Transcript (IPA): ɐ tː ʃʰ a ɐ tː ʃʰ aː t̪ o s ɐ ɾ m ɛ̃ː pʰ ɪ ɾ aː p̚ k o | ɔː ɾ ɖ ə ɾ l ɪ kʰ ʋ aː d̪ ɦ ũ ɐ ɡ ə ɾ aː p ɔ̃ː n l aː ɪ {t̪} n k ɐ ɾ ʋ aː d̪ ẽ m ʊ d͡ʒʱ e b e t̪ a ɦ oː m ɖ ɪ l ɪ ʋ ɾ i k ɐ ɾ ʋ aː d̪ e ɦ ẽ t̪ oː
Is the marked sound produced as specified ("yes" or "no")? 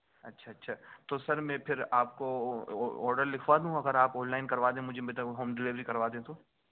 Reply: no